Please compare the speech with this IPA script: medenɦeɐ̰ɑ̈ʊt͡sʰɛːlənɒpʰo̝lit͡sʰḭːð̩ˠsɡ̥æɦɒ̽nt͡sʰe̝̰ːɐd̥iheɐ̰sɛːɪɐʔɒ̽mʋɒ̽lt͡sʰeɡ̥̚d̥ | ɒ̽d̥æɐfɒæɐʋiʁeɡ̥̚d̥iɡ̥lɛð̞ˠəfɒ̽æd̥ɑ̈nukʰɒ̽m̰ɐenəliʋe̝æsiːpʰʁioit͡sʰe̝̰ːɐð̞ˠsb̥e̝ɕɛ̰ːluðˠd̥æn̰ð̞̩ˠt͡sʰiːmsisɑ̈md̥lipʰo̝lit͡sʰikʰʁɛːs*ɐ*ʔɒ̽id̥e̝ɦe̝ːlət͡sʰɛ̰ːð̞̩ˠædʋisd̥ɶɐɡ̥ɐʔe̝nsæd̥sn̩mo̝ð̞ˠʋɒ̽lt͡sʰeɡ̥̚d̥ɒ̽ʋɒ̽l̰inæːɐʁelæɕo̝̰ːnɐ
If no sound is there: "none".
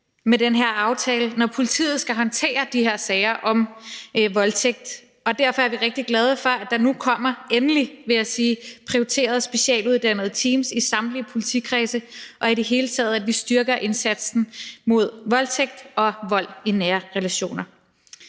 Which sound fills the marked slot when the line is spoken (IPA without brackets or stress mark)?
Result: ə